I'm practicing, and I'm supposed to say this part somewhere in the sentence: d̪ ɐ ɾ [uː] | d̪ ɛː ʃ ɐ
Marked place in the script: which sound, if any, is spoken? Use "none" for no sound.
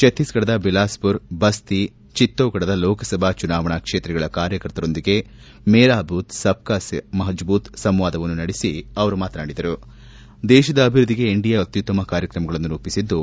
u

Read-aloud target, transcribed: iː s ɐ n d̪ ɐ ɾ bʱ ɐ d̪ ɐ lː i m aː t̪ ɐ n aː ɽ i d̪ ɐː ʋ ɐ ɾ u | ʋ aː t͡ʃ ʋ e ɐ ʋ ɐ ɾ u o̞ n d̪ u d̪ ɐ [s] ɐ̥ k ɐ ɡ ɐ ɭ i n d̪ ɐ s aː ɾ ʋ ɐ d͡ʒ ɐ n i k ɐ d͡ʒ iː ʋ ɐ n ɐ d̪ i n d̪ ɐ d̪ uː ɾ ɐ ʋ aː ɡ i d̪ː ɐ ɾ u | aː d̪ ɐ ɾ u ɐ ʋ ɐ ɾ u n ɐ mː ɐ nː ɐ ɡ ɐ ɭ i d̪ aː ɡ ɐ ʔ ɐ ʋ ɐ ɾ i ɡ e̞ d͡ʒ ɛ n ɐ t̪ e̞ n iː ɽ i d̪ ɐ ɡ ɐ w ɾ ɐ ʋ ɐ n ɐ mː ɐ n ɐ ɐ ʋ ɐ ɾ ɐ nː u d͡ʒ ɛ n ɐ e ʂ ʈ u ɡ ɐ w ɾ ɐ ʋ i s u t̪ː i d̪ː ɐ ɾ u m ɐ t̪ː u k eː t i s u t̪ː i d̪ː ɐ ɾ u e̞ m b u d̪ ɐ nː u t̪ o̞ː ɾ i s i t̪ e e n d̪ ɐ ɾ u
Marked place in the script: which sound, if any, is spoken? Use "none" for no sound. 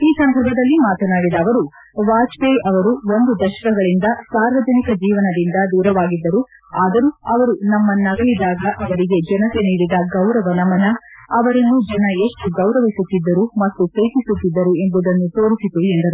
ʃ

